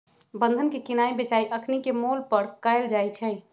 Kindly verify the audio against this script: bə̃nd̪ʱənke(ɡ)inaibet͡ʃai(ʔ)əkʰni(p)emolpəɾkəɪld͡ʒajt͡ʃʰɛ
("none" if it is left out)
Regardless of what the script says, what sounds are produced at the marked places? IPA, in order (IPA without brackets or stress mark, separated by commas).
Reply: k, ʔ, k